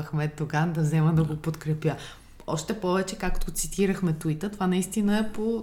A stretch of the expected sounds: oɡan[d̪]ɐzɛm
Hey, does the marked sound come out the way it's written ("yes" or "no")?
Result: yes